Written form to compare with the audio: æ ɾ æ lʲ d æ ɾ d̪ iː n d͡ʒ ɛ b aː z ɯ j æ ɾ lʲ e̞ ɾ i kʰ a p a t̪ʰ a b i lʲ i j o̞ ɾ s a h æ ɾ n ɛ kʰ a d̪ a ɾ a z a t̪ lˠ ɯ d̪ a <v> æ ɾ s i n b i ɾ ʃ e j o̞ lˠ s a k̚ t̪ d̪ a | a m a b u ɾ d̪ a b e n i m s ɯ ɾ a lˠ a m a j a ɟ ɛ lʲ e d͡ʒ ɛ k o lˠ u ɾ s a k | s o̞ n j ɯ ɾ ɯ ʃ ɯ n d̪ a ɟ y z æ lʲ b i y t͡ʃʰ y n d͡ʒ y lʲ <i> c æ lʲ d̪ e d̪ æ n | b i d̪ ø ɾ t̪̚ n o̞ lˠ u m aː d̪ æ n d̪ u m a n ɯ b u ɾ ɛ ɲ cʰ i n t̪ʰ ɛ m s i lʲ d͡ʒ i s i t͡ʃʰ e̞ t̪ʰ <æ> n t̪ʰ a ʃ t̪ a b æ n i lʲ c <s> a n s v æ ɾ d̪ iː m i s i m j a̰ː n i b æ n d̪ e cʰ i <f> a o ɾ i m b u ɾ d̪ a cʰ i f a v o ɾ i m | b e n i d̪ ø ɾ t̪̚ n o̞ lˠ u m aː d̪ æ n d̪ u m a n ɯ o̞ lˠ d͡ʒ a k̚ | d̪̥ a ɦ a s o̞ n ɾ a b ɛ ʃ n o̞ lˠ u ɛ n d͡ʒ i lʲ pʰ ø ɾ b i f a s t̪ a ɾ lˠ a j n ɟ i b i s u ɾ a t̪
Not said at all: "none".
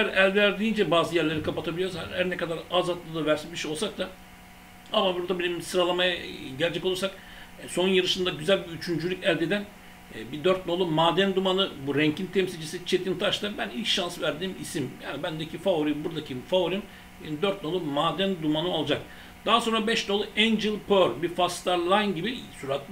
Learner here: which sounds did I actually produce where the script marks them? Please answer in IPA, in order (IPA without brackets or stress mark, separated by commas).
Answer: v, y, i, ʃ, f